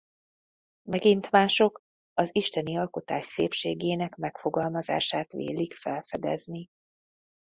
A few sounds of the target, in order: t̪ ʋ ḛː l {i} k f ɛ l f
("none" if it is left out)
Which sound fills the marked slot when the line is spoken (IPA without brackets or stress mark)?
i